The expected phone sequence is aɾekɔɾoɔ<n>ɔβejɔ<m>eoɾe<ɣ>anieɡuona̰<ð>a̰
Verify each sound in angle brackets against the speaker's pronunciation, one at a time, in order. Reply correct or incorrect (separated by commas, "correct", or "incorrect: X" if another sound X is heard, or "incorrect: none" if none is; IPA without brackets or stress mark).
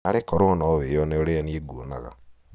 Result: correct, incorrect: n, incorrect: none, incorrect: ɣ